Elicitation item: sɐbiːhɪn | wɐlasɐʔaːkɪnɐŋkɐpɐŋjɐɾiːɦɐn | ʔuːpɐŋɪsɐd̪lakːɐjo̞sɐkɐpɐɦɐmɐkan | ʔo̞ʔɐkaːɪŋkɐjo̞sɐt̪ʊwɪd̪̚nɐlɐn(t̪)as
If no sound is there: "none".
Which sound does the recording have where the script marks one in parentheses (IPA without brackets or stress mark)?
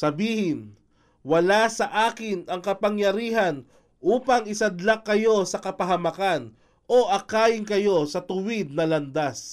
d̪